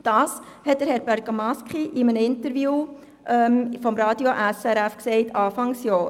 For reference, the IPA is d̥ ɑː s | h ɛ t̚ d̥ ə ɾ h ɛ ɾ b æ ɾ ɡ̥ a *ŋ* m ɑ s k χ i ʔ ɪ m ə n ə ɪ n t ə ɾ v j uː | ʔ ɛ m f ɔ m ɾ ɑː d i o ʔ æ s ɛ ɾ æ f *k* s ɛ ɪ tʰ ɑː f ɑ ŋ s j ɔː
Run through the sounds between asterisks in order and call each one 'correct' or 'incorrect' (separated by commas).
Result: incorrect, correct